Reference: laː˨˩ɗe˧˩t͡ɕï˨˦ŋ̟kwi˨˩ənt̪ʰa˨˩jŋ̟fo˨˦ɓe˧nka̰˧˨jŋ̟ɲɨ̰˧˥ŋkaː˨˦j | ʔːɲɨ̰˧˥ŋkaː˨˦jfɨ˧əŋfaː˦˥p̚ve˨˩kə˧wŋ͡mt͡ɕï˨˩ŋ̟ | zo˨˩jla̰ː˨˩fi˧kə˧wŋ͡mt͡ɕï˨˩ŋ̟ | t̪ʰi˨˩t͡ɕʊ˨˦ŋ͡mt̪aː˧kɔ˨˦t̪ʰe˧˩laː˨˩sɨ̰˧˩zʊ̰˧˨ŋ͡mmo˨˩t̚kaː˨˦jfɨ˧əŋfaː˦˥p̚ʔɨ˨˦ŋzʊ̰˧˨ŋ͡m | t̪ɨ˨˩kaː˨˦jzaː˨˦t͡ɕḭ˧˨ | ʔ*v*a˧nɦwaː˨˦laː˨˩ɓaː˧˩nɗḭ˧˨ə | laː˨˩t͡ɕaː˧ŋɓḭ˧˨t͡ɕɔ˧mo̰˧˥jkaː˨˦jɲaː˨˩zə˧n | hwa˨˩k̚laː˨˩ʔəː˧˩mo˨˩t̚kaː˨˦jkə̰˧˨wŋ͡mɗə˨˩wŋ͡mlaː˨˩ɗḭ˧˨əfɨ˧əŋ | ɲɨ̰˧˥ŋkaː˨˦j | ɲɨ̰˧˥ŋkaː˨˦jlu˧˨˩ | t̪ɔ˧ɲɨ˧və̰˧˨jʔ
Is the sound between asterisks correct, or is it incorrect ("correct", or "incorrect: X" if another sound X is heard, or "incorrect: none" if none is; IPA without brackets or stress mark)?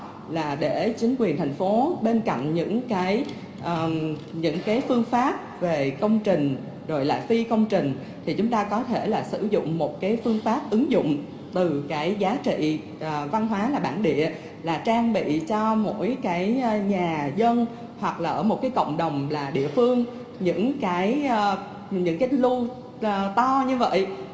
correct